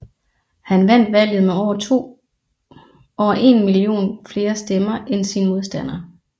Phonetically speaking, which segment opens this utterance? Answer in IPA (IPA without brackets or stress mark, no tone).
h